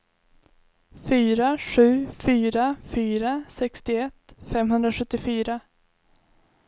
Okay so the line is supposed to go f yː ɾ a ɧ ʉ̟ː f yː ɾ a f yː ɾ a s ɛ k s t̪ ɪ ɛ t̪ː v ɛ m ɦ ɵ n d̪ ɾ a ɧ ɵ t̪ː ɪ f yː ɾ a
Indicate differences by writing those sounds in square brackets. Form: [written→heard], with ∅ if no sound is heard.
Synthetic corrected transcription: f yː ɾ a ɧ ʉ̟ː f yː ɾ a f yː ɾ a s ɛ k s t̪ ɪ ɛ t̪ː [v→f] ɛ m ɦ ɵ n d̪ ɾ a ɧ ɵ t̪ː ɪ f yː ɾ a